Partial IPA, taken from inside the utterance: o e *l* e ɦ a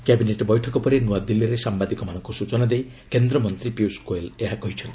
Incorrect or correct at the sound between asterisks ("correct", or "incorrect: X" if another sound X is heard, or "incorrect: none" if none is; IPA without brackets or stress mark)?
correct